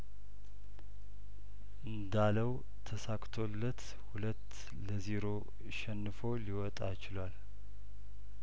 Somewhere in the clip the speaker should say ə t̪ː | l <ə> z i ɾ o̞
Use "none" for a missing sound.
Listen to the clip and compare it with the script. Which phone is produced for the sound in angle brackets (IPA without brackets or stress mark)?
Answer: ə